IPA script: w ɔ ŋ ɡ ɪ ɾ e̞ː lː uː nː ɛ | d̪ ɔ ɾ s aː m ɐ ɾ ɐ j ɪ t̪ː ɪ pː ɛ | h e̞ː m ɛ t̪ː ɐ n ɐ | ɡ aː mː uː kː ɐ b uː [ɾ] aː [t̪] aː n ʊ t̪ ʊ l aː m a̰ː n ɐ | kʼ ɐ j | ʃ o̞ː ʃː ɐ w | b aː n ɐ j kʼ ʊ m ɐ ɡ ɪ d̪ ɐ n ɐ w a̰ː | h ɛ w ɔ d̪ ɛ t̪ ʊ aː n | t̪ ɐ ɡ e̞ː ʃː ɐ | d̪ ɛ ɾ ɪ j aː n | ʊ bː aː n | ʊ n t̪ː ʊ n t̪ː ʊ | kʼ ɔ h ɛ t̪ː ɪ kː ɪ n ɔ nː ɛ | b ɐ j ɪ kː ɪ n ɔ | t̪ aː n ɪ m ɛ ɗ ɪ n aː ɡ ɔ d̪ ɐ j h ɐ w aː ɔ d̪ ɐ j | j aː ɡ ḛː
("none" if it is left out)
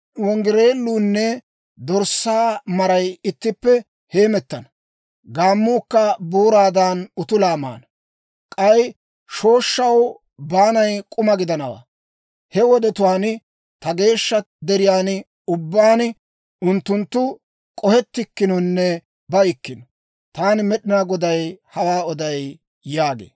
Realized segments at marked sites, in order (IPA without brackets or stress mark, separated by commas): ɾ, d̪